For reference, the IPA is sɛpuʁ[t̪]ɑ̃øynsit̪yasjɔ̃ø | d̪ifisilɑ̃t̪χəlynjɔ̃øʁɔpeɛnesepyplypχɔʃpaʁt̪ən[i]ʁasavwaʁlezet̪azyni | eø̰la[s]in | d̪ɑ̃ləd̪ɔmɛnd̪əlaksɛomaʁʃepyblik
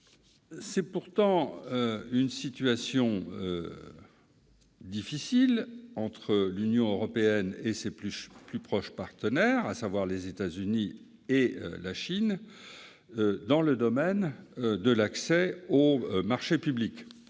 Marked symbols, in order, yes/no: yes, no, no

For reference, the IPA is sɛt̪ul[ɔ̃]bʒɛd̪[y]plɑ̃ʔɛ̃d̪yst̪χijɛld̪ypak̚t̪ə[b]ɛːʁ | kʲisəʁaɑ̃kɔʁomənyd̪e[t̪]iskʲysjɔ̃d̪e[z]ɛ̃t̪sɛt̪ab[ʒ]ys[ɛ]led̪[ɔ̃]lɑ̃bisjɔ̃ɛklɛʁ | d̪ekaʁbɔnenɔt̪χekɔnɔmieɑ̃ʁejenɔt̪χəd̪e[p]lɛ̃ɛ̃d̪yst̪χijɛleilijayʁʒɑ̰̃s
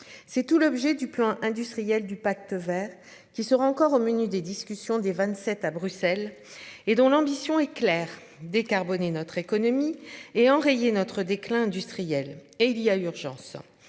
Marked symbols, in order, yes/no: no, yes, no, no, no, no, yes, yes, no

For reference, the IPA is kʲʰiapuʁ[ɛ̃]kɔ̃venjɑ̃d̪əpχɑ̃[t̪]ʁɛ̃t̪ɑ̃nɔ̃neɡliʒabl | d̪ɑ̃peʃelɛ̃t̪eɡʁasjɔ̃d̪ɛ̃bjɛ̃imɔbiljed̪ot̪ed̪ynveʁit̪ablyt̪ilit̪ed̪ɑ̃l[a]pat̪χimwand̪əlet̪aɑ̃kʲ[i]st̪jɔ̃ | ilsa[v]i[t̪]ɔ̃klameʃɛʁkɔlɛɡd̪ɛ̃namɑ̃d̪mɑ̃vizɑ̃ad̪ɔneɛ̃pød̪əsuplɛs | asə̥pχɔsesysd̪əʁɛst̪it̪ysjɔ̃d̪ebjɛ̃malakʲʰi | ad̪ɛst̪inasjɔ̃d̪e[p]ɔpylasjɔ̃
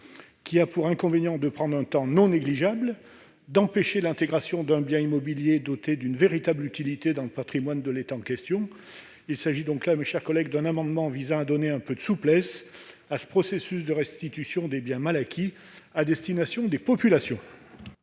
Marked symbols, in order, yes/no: yes, no, no, no, no, no, yes

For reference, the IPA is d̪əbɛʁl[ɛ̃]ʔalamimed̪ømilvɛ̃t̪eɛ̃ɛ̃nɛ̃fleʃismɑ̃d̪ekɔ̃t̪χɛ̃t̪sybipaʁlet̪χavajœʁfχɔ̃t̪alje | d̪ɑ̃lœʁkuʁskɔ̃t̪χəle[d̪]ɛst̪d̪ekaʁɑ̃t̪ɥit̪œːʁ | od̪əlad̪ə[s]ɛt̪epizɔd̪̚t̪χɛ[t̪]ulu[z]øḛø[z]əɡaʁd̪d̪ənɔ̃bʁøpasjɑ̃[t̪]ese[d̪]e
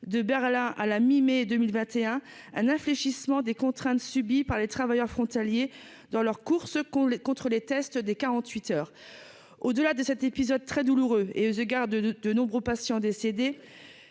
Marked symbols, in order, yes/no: yes, no, yes, no, no, yes, no, yes

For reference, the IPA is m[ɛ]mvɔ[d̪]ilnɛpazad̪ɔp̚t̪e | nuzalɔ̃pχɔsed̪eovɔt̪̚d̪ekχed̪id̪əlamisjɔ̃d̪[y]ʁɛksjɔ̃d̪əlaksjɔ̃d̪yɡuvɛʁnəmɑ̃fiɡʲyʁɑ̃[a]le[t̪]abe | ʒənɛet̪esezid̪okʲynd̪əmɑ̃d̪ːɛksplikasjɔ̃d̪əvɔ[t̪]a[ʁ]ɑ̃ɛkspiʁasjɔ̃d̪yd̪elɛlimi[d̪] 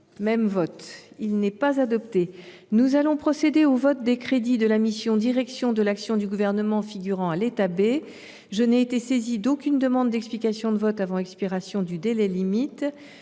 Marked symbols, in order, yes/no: yes, no, no, yes, yes, yes, no, no

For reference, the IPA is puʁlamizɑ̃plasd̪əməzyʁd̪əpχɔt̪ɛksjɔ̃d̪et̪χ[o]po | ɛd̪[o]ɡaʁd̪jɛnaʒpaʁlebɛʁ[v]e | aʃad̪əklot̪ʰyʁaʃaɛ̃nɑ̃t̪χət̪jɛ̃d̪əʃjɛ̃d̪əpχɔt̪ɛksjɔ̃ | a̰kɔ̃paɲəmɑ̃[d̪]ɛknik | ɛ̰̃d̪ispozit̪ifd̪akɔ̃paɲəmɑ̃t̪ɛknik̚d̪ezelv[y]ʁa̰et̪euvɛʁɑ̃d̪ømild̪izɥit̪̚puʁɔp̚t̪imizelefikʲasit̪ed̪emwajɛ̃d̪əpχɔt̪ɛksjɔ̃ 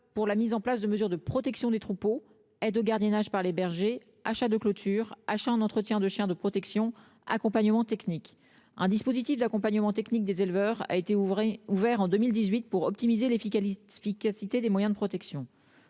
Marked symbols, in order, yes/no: no, yes, no, no, no

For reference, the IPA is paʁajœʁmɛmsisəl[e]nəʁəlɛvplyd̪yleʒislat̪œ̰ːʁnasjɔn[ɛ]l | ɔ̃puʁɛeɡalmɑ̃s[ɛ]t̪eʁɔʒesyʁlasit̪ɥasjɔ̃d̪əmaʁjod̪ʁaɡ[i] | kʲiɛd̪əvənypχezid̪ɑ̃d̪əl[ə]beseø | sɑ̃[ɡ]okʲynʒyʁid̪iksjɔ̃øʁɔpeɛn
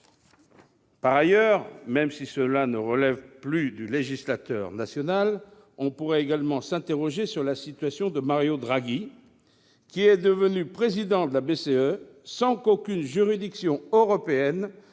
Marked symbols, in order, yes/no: no, no, no, yes, no, no

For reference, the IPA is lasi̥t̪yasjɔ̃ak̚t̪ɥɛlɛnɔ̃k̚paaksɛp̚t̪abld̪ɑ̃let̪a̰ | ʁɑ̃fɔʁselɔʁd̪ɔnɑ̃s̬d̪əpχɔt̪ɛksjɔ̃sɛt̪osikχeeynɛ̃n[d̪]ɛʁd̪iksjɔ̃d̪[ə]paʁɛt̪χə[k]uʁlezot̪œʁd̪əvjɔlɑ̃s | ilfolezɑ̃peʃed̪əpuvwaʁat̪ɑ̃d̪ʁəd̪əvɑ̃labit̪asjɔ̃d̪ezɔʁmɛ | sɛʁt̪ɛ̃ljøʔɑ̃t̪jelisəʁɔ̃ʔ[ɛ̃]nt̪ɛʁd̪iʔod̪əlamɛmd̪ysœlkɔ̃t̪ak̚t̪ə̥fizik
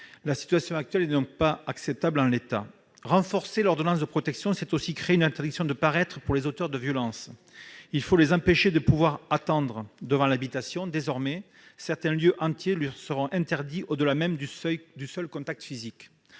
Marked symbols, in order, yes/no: no, yes, no, yes

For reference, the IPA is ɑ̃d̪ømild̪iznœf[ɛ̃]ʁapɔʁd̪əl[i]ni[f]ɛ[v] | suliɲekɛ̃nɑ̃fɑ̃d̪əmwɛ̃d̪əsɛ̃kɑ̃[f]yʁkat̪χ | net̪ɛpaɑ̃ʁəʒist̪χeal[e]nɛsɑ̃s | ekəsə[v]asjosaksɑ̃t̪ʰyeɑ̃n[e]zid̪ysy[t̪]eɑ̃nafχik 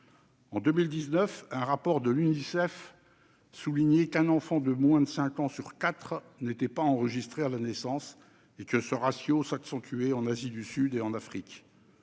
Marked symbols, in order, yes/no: yes, no, no, no, no, no, no, no, no

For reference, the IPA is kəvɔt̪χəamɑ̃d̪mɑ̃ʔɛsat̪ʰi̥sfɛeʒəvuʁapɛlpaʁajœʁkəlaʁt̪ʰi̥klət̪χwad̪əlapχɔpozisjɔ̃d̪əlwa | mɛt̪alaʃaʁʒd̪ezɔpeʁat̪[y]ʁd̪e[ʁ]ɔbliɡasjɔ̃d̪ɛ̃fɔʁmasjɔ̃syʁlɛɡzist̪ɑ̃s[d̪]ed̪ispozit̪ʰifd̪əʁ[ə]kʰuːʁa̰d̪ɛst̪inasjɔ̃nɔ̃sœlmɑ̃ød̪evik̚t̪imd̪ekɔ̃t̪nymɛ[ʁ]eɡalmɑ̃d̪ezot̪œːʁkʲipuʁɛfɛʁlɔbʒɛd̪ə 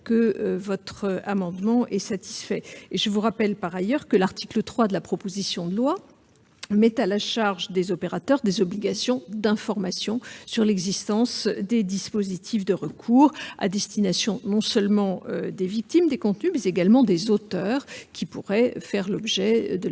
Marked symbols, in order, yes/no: no, no, yes, yes, no

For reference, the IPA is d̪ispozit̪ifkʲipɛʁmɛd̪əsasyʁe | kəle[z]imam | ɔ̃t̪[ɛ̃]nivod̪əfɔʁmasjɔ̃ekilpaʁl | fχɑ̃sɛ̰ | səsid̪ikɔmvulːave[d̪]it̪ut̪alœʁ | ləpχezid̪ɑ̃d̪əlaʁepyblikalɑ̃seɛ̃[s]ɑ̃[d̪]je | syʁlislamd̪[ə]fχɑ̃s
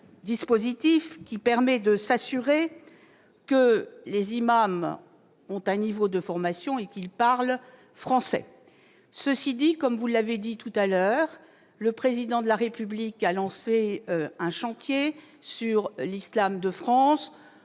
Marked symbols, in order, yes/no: yes, yes, yes, no, no, yes

